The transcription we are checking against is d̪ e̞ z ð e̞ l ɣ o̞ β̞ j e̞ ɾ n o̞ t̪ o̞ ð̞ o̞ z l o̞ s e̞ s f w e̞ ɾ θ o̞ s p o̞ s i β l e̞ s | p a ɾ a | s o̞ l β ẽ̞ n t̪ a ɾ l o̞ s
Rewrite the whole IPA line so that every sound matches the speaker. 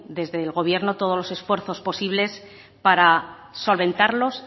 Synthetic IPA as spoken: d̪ e̞ z ð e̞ l ɣ o̞ β̞ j e̞ ɾ n o̞ t̪ o̞ ð̞ o̞ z l o̞ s e̞ s f w e̞ ɾ θ o̞ s p o̞ s i β l e̞ s | p a ɾ a | s o̞ l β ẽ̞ n t̪ a ɾ l o̞ s